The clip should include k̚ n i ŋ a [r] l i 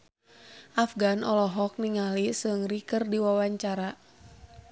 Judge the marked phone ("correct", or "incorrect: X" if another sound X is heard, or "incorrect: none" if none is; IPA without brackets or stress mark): incorrect: none